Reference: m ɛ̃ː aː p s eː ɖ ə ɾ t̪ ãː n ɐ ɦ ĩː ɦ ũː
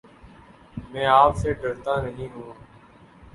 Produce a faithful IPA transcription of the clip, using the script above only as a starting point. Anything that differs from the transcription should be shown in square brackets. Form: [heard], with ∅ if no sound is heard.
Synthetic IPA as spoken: m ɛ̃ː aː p s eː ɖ ə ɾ t̪ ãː n [ə] ɦ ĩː ɦ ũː